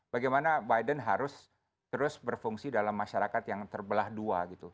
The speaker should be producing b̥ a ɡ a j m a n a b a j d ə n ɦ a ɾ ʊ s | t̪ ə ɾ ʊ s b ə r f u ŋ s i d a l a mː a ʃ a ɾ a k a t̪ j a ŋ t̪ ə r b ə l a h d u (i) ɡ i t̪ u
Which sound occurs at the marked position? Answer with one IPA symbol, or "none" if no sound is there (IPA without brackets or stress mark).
a